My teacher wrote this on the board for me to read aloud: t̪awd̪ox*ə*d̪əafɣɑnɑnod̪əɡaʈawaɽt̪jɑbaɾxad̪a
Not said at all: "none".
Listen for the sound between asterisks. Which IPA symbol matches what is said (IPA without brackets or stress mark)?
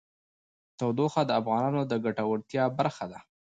a